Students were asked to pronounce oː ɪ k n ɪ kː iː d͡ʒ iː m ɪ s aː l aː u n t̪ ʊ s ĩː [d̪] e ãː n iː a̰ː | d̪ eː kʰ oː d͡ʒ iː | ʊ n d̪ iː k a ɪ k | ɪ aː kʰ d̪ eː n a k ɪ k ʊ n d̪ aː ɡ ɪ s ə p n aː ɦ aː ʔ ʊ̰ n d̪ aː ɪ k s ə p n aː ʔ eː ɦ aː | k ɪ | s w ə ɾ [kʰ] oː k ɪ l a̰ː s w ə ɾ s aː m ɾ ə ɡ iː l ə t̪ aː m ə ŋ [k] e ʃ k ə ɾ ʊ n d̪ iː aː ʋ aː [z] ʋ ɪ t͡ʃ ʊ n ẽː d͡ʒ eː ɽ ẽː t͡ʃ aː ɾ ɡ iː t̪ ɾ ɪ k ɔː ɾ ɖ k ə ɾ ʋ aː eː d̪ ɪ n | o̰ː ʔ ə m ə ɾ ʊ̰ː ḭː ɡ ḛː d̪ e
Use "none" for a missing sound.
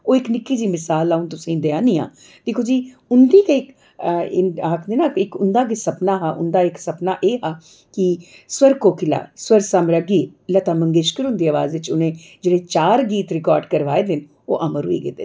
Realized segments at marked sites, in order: d̪, k, ɡ, z

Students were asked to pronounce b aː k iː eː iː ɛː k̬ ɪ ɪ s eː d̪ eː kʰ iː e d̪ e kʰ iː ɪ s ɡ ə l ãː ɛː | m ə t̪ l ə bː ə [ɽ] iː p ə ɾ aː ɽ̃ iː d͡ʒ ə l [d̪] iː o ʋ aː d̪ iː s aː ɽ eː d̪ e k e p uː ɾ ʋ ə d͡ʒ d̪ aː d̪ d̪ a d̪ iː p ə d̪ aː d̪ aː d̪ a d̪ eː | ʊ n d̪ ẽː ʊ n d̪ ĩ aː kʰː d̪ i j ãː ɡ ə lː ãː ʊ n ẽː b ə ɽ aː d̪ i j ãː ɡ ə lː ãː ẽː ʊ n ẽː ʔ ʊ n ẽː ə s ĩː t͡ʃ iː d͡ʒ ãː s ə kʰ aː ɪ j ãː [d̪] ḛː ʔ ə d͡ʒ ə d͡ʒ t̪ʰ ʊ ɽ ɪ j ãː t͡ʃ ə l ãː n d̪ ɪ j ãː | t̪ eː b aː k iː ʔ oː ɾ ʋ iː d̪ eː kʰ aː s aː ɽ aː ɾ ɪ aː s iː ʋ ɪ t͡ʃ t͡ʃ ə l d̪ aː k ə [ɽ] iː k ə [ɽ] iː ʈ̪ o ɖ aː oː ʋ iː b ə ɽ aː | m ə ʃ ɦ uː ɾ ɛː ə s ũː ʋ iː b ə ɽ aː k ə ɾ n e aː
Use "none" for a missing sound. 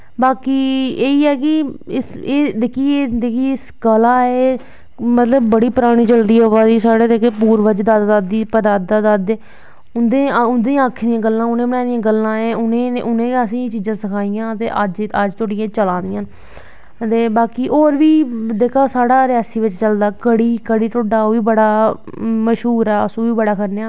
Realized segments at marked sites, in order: ɽ, d̪, t̪, ɽ, ɽ

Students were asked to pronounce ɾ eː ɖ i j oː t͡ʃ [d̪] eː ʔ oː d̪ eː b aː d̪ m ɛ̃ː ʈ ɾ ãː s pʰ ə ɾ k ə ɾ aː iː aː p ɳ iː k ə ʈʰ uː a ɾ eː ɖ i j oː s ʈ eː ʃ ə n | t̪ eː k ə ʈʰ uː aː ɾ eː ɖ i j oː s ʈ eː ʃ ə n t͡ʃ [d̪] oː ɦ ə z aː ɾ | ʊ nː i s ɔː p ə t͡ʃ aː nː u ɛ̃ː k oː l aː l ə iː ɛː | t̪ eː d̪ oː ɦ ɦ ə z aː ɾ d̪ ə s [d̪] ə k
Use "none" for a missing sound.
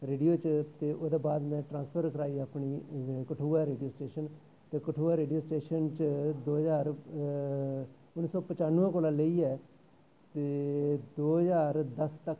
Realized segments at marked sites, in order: t̪, d̪, t̪

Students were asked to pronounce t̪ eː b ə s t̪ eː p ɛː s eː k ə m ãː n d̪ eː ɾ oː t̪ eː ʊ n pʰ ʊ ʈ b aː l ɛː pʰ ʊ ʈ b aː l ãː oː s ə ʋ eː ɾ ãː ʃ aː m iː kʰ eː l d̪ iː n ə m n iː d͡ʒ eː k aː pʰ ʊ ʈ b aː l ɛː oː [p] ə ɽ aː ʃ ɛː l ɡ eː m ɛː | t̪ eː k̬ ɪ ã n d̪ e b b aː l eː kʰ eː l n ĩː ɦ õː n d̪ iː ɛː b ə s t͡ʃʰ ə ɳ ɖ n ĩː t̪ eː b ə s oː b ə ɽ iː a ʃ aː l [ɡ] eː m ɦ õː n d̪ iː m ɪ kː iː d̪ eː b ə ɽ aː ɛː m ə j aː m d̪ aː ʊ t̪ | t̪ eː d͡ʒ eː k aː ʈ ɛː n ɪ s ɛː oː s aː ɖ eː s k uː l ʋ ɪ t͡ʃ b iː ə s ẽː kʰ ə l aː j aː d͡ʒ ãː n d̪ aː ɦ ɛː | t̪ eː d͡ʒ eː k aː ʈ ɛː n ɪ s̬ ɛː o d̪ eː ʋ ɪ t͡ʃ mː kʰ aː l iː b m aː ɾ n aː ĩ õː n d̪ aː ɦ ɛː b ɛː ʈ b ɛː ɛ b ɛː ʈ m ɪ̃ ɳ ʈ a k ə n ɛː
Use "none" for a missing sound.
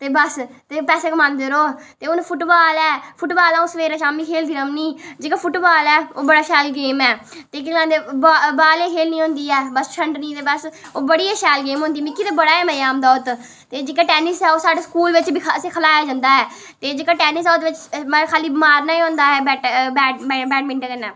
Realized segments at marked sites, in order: b, ɡ

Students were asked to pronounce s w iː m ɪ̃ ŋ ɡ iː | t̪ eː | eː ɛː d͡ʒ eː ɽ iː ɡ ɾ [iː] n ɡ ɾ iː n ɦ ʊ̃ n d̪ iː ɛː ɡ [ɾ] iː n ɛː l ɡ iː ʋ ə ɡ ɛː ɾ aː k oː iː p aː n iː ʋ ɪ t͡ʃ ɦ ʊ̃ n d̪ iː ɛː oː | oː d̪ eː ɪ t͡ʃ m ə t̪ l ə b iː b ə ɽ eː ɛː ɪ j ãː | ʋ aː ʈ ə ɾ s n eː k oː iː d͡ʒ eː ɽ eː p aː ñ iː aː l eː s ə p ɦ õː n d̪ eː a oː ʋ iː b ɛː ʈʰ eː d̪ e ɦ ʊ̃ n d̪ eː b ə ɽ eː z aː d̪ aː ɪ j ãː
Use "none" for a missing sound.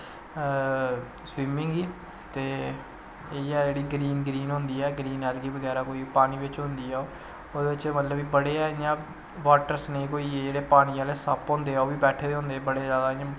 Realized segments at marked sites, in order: iː, ɾ

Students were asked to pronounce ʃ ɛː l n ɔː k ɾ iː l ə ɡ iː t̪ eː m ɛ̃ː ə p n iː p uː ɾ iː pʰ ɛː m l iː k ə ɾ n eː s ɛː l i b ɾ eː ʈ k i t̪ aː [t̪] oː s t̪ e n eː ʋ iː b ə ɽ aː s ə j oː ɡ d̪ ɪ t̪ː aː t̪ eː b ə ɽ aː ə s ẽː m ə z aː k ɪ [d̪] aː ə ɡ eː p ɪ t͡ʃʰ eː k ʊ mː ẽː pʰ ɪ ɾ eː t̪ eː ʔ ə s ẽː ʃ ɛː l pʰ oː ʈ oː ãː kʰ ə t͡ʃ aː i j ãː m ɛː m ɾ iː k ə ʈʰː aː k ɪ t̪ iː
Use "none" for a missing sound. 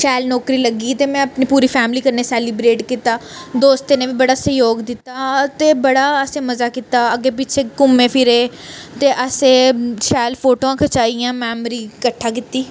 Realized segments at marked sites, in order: d̪, t̪

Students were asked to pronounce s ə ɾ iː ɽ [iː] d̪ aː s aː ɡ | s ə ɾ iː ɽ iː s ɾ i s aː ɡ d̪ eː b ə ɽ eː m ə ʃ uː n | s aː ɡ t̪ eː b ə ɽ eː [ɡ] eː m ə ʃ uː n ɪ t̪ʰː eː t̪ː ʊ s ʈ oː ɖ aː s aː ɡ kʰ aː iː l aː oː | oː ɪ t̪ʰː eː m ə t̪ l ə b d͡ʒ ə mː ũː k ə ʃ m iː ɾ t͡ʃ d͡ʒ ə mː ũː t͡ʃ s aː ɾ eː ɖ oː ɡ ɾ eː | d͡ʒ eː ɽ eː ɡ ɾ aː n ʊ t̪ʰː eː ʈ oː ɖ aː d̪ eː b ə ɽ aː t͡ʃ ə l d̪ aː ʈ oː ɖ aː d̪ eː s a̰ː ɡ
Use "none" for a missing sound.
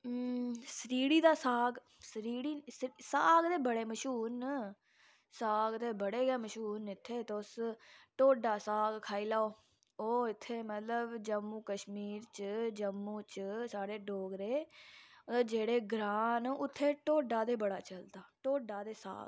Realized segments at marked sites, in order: iː, ɡ

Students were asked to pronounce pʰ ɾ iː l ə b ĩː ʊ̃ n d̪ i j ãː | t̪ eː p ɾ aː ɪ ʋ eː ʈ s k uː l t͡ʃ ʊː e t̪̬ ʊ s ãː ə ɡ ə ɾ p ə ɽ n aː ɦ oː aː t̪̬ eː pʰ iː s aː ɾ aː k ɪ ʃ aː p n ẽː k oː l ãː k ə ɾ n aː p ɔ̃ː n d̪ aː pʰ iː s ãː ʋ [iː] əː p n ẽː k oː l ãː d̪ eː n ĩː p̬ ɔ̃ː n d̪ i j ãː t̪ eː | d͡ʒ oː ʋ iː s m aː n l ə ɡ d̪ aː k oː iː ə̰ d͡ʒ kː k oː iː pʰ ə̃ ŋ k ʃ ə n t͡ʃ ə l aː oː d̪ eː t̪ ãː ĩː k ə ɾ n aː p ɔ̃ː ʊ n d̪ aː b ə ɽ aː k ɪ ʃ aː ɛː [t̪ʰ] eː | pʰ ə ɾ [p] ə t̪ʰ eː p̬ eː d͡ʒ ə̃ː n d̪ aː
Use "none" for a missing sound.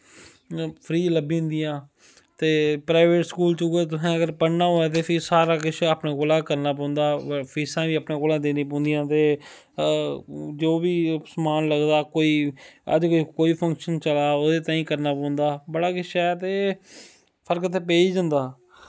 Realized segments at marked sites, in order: iː, t̪, k

